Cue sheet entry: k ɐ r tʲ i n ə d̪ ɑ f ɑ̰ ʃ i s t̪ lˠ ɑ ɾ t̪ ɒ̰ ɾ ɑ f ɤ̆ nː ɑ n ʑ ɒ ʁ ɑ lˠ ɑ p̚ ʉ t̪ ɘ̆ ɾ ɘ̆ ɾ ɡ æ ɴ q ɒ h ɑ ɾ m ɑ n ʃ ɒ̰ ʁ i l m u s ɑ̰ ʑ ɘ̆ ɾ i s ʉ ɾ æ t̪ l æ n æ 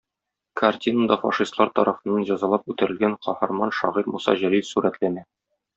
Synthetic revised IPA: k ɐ r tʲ i n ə d̪ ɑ f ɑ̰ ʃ i s t̪ lˠ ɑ ɾ t̪ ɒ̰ ɾ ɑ f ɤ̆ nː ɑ n ʑ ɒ z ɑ lˠ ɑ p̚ ʉ t̪ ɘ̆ ɾ ɘ̆ l ɡ æ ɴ q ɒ h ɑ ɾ m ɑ n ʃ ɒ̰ ʁ i ɾ m u s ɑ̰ ʑ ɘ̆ ɾ i s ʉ ɾ æ t̪ l æ n æ

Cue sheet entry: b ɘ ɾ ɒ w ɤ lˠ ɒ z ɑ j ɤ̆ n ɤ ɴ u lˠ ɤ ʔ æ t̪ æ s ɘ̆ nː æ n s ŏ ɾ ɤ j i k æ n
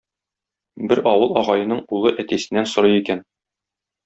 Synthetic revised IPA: b ɘ ɾ ɒ w ɤ lˠ ɒ ʁ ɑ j ɤ̆ n ɤ ɴ u lˠ ɤ ʔ æ t̪ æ s ɘ̆ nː æ n s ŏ ɾ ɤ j i k æ n

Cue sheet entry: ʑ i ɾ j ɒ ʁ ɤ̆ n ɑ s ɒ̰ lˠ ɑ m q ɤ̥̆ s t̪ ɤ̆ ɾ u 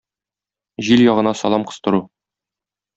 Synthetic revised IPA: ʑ i l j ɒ ʁ ɤ̆ n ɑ s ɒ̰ lˠ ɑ m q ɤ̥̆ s t̪ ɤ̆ ɾ u

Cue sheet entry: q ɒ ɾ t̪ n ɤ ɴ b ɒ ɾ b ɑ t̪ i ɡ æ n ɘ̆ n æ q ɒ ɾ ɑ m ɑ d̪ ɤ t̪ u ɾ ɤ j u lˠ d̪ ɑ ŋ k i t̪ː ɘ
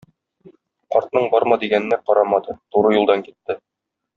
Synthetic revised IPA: q ɒ ɾ t̪ n ɤ ɴ b ɒ ɾ m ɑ d̪ i ɡ æ n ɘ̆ n æ q ɒ ɾ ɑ m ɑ d̪ ɤ t̪ u ɾ ɤ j u lˠ d̪ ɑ ŋ k i t̪ː ɘ

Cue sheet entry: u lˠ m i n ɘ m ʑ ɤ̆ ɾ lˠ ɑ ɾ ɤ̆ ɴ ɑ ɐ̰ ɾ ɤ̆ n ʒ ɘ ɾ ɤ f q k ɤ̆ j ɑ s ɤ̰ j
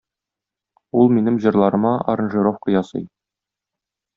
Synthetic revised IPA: u lˠ m i n ɘ m ʑ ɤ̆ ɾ lˠ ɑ ɾ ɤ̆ m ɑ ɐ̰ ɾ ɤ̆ n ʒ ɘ ɾ o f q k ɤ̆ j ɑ s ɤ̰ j

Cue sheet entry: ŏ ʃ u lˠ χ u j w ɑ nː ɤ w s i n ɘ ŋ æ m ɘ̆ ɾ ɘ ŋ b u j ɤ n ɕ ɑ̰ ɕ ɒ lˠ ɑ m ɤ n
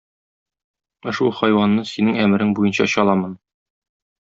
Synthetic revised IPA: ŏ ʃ u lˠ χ ɒ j w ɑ nː ɤ s i n ɘ ŋ æ m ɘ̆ ɾ ɘ ŋ b u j ɤ n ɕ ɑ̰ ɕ ɒ lˠ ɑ m ɤ n

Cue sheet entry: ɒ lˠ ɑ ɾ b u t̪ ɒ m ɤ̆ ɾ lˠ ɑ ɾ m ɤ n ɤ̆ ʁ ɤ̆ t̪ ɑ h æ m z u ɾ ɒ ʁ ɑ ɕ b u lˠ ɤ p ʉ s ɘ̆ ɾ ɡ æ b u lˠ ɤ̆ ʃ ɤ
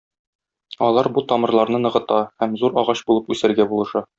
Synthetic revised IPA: ɒ lˠ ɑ ɾ b u t̪ ɒ m ɤ̆ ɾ lˠ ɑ ɾ n ɤ n ɤ̆ ʁ ɤ̆ t̪ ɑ h æ m z u ɾ ɒ ʁ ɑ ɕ b u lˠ ɤ p ʉ s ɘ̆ ɾ ɡ æ b u lˠ ɤ̆ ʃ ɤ

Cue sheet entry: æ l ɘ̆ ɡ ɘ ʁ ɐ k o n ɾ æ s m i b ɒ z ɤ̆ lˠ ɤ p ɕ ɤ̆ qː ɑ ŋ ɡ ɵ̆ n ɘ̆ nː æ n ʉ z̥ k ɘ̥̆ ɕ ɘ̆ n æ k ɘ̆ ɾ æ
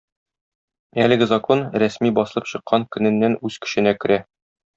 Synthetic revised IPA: æ l ɘ̆ ɡ ɘ z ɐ k o n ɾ æ s m i b ɒ s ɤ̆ lˠ ɤ p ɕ ɤ̆ qː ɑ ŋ k ɵ̆ n ɘ̆ nː æ n ʉ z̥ k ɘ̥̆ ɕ ɘ̆ n æ k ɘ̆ ɾ æ

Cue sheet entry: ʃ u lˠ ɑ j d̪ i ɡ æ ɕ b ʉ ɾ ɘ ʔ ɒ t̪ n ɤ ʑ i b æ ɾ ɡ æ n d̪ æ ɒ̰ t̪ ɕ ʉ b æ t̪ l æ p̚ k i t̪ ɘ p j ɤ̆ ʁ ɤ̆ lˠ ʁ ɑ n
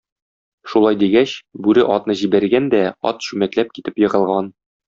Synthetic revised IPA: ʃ u lˠ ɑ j d̪ i ɡ æ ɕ b ʉ ɾ ɘ ʔ ɒ t̪ n ɤ ʑ i b æ ɾ ɡ æ n d̪ æ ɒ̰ t̪ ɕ ʉ m æ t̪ l æ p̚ k i t̪ ɘ p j ɤ̆ ʁ ɤ̆ lˠ ʁ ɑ n

